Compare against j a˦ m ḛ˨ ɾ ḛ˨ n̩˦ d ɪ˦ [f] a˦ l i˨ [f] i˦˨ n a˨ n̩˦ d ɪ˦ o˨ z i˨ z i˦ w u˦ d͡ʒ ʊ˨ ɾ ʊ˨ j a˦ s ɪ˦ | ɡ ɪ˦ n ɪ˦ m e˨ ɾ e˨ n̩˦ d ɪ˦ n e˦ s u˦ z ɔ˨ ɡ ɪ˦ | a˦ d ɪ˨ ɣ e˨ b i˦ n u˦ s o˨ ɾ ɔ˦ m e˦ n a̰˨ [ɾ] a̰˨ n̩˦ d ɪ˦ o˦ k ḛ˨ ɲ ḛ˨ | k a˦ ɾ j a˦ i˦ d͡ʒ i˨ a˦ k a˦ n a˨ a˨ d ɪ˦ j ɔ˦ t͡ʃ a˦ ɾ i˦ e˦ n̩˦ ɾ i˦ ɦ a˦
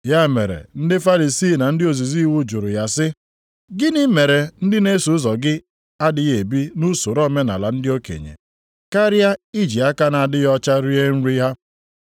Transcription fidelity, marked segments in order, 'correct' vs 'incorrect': correct, incorrect, incorrect

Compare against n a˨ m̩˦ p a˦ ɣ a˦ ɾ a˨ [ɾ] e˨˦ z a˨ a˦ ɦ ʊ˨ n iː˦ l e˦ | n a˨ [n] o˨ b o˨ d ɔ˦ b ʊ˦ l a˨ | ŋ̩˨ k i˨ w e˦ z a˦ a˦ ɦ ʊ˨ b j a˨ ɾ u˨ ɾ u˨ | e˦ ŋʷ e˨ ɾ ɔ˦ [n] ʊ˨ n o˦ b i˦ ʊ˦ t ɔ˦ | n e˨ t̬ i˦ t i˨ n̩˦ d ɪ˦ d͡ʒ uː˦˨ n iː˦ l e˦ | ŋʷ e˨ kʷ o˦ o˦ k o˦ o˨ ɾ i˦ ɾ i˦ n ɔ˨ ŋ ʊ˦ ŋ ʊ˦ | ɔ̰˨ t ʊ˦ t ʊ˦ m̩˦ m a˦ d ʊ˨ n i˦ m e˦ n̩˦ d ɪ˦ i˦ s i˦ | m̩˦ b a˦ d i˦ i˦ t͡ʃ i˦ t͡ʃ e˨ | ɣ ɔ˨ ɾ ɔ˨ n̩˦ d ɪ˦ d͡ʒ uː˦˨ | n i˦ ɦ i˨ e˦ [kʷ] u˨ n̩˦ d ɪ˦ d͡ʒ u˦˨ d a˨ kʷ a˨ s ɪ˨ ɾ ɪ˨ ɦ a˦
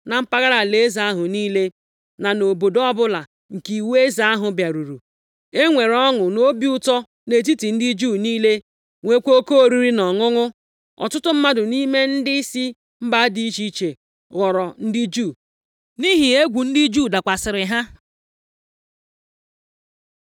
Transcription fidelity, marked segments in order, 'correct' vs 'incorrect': incorrect, correct, incorrect, incorrect

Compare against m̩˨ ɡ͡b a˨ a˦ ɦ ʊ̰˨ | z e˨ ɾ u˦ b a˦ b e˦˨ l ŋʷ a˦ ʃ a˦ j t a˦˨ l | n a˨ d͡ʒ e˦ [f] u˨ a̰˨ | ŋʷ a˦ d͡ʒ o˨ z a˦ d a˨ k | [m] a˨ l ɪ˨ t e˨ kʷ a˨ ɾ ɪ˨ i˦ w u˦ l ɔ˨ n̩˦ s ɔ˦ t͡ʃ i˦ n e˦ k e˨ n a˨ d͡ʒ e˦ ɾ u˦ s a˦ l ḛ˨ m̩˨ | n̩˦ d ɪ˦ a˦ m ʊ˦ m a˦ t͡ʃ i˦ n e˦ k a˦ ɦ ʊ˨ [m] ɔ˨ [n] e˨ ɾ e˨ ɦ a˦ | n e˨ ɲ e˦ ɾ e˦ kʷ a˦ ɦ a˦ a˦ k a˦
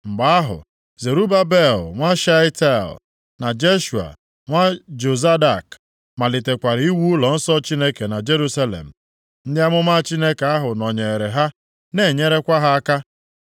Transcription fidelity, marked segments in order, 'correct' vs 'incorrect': incorrect, correct, incorrect, incorrect

